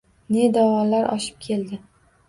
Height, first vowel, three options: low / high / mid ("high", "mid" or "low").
mid